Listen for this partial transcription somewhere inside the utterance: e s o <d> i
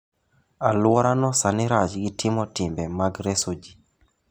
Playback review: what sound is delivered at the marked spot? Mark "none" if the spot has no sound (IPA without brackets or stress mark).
d͡ʒ